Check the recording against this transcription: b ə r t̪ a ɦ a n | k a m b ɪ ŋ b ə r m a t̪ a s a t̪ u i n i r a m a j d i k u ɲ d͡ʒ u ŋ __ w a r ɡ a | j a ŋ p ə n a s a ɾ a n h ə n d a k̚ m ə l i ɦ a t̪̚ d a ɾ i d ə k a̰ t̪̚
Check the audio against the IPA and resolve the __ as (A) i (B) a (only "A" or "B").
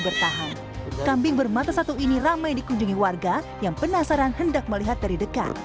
A